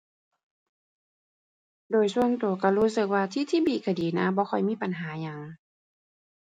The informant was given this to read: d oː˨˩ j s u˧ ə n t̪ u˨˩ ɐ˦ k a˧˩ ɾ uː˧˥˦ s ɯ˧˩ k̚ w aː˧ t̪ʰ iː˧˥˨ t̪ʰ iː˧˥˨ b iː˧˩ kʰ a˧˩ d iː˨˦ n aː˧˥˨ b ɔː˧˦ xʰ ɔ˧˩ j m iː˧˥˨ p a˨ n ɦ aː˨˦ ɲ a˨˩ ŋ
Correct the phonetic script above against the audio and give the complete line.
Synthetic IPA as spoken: d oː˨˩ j s u˧ ə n t̪ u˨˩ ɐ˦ k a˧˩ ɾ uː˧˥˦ s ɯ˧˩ k̚ w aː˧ t̪ʰ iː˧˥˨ t̪ʰ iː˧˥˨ b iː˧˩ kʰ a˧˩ d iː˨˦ n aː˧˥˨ b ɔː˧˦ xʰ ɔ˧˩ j m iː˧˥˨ p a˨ n ɦ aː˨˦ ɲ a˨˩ ŋ